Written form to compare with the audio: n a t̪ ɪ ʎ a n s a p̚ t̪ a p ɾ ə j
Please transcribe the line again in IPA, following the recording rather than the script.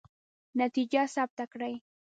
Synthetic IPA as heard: n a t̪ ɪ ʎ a s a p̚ t̪ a k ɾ a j